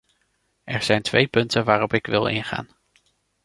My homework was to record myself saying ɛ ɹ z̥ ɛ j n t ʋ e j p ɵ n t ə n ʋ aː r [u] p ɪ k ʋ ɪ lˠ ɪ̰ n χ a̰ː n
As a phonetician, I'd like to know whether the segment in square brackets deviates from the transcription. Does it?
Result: yes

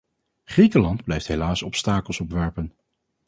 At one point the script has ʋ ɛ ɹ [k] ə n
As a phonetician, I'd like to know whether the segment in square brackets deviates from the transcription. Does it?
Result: yes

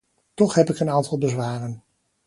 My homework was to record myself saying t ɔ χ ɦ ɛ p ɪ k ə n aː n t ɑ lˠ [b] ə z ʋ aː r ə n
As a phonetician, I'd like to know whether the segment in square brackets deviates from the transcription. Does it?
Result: no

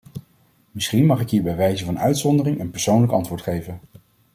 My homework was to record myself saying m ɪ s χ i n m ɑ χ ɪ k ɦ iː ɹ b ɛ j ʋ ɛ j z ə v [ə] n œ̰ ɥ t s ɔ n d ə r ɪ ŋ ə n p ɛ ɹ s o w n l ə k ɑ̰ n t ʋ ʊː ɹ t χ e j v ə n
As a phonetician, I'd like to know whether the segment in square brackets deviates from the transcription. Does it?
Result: yes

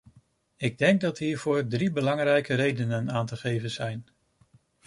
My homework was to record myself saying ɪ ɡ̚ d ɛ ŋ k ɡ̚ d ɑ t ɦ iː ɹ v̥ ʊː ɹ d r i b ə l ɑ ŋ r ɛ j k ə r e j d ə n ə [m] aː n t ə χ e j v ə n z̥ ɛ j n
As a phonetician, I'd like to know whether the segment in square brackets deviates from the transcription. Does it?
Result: yes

